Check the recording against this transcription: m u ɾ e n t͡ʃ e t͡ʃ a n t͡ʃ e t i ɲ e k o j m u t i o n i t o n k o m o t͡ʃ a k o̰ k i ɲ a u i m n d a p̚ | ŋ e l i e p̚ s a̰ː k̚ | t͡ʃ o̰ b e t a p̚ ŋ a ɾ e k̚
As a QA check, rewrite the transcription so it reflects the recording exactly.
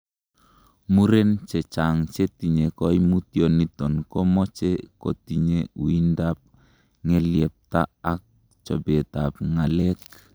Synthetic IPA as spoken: m u ɾ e n t͡ʃ e t͡ʃ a ŋ t͡ʃ e t i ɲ e k o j m u t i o n i t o n k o m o t͡ʃ e k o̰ t i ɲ e u i n d a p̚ | ŋ e l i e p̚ t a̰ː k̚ | t͡ʃ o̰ b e t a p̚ ŋ a l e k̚